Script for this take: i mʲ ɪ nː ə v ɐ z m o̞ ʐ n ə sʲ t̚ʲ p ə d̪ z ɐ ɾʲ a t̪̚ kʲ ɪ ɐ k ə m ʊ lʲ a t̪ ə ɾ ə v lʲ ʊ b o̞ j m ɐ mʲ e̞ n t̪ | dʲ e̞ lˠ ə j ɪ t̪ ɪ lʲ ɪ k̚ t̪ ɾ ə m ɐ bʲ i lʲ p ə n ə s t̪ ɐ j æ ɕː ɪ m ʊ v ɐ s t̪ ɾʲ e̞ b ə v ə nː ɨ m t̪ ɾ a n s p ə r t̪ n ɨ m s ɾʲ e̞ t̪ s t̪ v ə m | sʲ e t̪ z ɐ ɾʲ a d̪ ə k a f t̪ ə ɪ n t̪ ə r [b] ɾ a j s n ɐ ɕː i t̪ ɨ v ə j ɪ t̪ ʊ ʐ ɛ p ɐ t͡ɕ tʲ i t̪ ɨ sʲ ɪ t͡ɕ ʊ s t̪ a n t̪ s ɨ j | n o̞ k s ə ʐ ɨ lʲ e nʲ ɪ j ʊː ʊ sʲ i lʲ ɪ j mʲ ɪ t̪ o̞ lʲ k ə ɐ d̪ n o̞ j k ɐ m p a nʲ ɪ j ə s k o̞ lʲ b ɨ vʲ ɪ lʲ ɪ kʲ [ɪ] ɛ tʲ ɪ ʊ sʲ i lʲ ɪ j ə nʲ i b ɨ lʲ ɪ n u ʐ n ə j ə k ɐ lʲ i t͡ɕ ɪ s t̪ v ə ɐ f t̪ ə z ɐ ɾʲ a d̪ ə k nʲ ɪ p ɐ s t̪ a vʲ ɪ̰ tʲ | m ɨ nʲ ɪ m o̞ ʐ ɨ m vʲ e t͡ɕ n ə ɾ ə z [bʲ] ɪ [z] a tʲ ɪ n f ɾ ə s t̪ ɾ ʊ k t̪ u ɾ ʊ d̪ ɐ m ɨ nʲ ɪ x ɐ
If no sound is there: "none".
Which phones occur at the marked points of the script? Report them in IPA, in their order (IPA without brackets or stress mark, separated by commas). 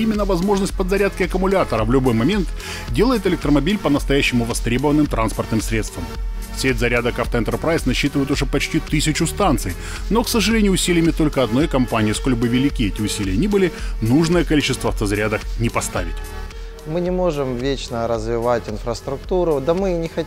p, i, vʲ, v